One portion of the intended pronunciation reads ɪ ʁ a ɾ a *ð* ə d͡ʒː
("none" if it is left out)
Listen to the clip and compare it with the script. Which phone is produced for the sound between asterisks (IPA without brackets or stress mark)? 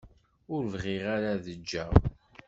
ð